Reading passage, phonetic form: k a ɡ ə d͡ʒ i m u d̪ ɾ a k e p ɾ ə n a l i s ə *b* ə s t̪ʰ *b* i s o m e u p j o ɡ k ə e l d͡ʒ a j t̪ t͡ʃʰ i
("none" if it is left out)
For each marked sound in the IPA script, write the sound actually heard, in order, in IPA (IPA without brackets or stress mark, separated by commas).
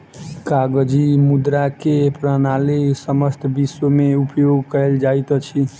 m, b